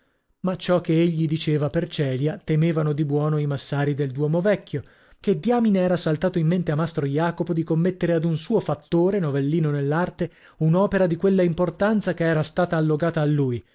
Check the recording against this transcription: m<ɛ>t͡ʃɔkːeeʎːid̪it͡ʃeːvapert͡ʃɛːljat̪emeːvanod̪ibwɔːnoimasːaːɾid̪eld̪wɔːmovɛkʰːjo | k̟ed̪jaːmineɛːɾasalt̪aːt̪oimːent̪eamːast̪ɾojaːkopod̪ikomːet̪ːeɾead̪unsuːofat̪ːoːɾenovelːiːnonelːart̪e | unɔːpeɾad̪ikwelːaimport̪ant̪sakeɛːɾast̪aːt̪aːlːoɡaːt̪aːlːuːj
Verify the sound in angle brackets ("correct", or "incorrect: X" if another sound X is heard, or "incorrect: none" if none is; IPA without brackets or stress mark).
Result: incorrect: a